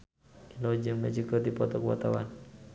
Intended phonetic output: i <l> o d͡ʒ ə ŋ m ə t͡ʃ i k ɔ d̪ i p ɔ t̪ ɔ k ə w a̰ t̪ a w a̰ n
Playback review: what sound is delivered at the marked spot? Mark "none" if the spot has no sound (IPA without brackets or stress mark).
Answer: l